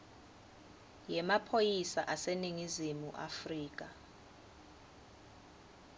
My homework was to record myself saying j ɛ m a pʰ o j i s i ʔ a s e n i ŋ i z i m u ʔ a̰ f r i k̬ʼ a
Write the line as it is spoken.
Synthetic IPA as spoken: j ɛ m a pʰ o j i s a ʔ a s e n i ŋ i z i m u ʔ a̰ f r iː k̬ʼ a